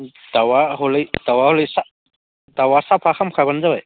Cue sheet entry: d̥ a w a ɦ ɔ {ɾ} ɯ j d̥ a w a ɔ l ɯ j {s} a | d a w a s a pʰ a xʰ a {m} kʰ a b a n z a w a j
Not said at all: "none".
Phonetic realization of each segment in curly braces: l, s, m

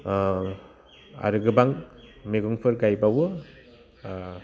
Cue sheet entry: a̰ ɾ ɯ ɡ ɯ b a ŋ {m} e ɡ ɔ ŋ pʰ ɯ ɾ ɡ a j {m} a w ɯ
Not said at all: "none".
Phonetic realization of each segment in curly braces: m, b

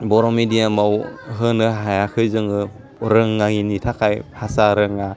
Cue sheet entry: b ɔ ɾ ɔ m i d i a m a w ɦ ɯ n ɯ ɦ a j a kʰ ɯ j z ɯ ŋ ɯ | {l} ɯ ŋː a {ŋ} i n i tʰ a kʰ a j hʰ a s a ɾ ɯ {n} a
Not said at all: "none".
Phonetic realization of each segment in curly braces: ɾ, ŋ, ŋ

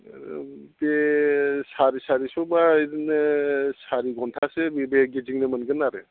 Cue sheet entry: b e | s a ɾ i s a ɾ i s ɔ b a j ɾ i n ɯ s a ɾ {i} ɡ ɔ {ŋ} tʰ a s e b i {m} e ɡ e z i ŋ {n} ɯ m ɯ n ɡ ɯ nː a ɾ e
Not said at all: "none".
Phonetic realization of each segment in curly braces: i, n, b, n

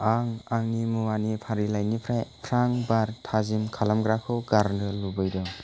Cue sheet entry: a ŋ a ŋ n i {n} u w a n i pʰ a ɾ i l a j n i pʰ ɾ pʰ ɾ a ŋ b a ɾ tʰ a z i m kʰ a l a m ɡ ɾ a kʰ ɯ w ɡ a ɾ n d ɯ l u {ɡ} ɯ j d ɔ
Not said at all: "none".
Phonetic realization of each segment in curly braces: m, b

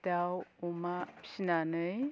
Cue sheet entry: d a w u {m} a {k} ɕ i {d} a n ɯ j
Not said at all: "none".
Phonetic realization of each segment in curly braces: m, p, n

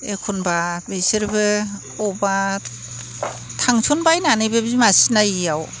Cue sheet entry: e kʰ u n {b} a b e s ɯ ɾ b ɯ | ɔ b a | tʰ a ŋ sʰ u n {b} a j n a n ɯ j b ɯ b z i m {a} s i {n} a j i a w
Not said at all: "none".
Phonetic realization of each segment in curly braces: b, b, a, n

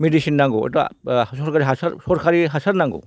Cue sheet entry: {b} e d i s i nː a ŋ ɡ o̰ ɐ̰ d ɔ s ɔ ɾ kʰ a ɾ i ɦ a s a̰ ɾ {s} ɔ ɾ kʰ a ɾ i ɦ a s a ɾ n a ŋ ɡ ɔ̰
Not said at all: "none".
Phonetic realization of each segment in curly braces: m, s

